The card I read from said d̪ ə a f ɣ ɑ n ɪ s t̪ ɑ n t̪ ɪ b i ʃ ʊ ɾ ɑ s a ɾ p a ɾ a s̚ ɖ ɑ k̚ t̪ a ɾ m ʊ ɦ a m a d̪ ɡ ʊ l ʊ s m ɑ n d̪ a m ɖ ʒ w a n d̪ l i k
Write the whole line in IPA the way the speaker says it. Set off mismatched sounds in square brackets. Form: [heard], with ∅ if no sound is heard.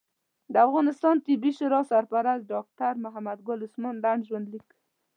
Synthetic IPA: d̪ ə a f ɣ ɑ n ɪ s t̪ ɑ n t̪ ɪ b i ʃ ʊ ɾ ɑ s a ɾ p a ɾ a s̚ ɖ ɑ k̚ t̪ a ɾ m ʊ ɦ a m a d̪ ɡ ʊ l ʊ s m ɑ n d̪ a [ɳ] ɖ ʒ w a n d̪ l i k